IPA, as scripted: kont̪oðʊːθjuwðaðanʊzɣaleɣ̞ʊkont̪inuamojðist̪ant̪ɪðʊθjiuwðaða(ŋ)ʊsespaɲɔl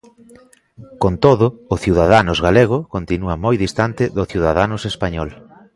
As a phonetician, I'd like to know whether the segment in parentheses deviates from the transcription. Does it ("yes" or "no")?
yes